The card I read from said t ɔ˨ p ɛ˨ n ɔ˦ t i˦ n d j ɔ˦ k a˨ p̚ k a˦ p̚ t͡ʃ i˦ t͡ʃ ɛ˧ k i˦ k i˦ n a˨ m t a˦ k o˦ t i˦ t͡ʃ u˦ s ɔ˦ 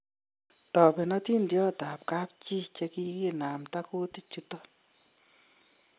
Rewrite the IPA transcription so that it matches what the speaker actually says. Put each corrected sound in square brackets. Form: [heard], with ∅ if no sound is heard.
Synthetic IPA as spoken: t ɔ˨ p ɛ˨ n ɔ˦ t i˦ n d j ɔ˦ [t] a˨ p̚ k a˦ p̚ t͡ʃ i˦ t͡ʃ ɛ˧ k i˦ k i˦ n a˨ m t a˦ k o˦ t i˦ t͡ʃ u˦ [t] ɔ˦